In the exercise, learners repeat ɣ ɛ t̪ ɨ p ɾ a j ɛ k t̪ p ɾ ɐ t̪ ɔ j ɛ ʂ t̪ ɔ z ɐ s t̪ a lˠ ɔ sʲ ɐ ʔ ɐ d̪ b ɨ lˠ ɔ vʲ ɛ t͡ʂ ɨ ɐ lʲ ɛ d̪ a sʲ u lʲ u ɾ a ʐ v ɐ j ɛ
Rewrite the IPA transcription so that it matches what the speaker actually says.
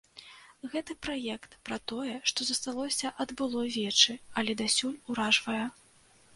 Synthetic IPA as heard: ɣ ɛ t̪ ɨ p ɾ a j ɛ k t̪ p ɾ ɐ t̪ ɔ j ɛ ʂ t̪ ɔ z ɐ s t̪ a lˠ ɔ sʲ ɐ ʔ ɐ d̪ b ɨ lˠ ɔ vʲ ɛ t͡ʂ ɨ ɐ lʲ ɛ d̪ a sʲ u lʲ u ɾ a ʐ v ɐ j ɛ